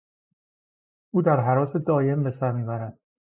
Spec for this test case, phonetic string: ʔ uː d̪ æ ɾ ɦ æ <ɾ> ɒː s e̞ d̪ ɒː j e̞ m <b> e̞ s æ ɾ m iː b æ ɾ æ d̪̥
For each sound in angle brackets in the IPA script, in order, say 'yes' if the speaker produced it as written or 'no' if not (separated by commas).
yes, yes